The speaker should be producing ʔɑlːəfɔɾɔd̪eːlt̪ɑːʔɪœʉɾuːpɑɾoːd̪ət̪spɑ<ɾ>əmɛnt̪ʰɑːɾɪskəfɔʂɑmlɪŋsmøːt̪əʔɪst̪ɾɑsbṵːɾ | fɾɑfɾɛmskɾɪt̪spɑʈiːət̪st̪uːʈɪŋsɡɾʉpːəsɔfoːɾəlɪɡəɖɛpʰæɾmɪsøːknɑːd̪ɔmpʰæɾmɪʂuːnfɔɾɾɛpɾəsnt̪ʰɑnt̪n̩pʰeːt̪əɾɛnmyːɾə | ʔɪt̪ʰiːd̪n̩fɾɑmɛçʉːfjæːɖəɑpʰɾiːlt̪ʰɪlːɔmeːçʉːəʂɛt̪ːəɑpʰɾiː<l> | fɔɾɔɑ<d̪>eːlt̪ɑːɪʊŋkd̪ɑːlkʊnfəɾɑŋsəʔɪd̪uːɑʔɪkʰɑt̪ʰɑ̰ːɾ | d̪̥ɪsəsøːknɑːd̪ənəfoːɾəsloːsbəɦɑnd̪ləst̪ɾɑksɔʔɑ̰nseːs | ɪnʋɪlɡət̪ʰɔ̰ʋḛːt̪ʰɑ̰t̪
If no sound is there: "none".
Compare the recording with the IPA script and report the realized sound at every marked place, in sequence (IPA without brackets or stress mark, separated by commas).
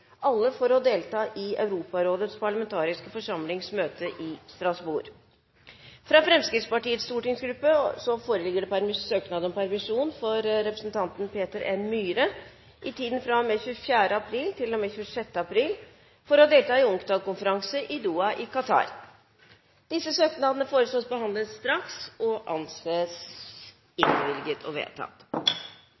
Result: ɭ, l, d̪